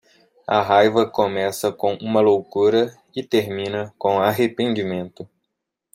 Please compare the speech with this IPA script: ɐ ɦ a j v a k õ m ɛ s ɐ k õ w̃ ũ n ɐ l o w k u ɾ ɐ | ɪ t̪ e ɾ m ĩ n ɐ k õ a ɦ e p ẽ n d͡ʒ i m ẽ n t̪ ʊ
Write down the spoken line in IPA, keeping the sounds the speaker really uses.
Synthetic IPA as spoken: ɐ ɦ a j v ɐ k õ m ɛ s ɐ k õ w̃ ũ m ɐ l o w k u ɾ ɐ | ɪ t̪ e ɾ m ĩ n ɐ k õ a ɦ e p ẽ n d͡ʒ i m ẽ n t̪ ʊ